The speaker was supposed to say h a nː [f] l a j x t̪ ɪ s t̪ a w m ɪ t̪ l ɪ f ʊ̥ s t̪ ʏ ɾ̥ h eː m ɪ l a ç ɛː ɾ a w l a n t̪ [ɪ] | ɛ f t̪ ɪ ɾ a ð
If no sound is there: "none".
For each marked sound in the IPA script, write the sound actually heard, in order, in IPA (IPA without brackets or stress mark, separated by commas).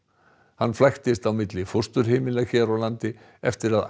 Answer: f, ɪ